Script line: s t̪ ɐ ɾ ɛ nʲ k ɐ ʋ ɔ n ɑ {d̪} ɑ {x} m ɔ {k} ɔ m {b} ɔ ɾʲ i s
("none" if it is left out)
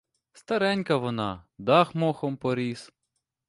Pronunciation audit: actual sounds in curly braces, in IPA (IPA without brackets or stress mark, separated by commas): d̪, x, x, p